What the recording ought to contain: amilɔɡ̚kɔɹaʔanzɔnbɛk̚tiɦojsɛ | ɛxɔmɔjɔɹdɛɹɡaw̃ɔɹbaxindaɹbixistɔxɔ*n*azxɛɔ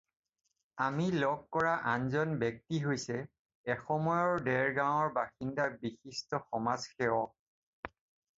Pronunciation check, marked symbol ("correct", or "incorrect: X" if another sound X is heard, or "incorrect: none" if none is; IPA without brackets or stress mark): incorrect: m